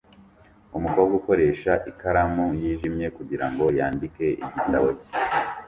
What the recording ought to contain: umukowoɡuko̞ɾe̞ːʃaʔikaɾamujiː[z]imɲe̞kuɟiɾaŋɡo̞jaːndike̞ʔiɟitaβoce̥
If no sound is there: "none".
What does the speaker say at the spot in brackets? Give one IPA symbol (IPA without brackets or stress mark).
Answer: ʒ